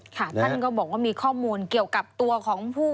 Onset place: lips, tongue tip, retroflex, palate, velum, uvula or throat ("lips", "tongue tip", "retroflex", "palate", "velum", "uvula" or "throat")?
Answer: velum